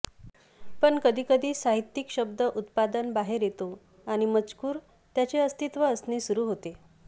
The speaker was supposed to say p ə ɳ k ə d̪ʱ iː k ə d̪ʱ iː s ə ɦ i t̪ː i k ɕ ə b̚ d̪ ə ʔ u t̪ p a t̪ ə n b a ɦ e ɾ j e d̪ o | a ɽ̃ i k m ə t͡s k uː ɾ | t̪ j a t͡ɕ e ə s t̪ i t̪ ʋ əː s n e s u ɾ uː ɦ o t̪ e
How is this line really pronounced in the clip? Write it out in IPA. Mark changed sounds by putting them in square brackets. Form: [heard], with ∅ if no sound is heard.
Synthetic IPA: p ə ɳ k ə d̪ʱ iː k ə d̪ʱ iː s [a] ɦ i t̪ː i k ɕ ə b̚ d̪ ə ʔ u t̪ p a [d̪] ə n b a ɦ e ɾ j e [t̪] o | a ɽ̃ i [∅] m ə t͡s k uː ɾ | t̪ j a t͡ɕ e ə s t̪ i t̪ ʋ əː s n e s u ɾ uː ɦ o t̪ e